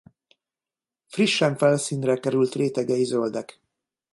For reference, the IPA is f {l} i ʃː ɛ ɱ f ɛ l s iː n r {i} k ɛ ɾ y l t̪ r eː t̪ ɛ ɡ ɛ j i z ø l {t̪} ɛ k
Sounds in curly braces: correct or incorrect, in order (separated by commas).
incorrect, incorrect, incorrect